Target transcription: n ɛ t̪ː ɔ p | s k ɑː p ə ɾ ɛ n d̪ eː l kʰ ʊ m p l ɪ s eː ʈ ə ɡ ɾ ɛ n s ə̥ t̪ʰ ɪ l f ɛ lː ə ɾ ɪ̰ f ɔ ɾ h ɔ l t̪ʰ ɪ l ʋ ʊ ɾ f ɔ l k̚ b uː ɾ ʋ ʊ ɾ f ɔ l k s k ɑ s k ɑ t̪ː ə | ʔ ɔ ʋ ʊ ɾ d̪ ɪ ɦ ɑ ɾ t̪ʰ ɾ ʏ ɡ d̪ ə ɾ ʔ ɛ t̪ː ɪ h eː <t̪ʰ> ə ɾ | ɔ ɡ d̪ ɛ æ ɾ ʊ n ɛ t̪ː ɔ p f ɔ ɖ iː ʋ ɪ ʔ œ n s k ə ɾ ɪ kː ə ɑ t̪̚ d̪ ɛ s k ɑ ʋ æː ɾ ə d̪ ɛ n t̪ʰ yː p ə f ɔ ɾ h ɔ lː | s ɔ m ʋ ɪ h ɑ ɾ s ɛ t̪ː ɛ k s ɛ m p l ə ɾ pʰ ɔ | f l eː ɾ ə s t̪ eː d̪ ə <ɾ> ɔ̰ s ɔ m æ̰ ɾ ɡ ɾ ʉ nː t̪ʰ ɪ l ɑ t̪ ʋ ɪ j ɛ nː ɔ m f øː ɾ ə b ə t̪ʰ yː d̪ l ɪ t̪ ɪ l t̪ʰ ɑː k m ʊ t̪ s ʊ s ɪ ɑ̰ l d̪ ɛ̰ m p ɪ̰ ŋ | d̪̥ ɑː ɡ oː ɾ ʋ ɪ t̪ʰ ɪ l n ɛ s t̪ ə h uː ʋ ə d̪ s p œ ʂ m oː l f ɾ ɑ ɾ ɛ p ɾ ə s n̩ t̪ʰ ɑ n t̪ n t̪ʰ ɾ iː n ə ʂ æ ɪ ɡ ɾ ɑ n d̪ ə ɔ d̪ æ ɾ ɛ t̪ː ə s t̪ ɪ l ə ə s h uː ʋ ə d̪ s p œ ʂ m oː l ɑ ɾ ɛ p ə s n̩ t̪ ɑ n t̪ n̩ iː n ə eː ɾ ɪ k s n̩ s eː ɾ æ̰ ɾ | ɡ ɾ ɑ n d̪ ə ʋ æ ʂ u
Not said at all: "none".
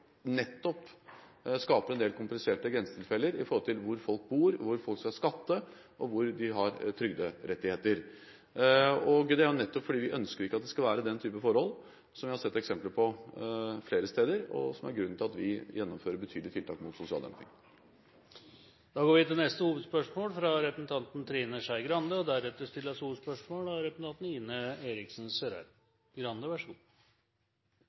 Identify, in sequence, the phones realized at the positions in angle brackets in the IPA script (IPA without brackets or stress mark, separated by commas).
t̪, ɾ